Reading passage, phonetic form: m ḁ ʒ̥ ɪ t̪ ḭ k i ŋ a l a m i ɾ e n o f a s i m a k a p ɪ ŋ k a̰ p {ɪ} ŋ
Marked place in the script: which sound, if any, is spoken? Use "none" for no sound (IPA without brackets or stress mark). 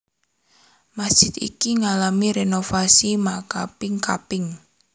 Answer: ɪ